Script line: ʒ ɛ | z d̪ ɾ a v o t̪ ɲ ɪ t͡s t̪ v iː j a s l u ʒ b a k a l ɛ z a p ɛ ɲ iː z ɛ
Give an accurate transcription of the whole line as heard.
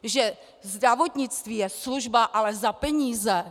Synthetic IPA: ʒ ɛ | z d̪ ɾ a v o t̪ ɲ ɪ t͡s t̪ v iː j ɛ s l u ʒ b a ʔ a l ɛ z a p ɛ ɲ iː z ɛ